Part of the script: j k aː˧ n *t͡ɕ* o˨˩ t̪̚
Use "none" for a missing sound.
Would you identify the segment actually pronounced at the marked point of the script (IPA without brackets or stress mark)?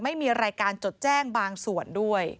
t͡ɕ